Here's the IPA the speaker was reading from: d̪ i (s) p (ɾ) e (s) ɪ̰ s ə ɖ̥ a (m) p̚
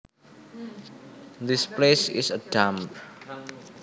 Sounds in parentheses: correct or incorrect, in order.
correct, incorrect: l, correct, correct

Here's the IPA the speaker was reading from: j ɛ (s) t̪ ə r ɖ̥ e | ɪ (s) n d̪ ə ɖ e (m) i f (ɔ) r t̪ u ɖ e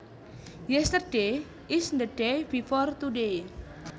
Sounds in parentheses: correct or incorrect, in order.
correct, correct, incorrect: b, correct

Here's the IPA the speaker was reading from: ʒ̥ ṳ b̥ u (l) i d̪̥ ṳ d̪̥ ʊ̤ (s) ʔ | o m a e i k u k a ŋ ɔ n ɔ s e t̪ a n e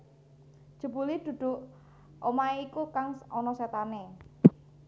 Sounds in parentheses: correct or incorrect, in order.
correct, incorrect: none

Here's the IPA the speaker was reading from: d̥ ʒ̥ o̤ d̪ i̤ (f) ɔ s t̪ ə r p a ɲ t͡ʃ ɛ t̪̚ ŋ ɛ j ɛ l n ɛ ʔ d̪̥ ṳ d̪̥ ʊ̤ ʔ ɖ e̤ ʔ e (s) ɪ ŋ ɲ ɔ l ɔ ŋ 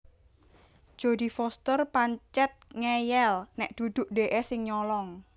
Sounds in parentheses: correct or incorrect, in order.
correct, correct

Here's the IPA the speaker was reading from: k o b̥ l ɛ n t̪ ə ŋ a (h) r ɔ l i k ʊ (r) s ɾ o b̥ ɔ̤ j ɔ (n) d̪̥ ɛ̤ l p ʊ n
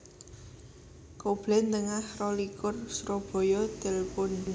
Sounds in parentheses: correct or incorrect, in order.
correct, correct, incorrect: none

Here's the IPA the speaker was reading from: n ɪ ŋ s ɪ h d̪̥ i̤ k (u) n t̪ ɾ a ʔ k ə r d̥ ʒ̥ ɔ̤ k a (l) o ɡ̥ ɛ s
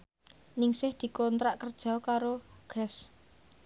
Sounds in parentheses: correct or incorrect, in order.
incorrect: ɔ, incorrect: ɾ

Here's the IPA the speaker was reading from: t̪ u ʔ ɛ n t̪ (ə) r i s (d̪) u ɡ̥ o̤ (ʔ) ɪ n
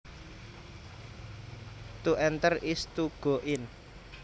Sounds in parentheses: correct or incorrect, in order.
correct, incorrect: t̪, correct

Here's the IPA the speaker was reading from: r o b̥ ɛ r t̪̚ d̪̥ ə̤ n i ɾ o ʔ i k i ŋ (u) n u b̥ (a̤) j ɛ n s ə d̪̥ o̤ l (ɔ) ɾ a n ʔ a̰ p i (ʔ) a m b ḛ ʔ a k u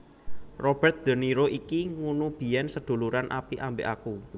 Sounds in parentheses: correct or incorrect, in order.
correct, incorrect: i̤, incorrect: u, correct

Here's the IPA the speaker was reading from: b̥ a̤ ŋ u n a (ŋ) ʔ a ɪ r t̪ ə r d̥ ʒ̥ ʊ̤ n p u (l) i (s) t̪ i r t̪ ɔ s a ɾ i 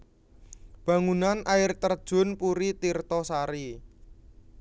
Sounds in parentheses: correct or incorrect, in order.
incorrect: n, incorrect: ɾ, incorrect: none

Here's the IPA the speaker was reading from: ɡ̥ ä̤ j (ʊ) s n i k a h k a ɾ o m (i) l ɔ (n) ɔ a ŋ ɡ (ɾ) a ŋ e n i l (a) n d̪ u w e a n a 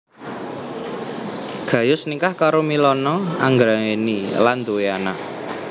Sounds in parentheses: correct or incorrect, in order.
correct, correct, correct, correct, correct

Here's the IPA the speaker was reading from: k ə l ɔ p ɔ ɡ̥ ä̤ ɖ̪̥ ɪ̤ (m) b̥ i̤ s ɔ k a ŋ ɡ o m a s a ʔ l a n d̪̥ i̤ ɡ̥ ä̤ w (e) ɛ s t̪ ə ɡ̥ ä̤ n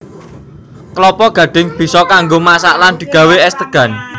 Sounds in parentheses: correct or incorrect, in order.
incorrect: ŋ, correct

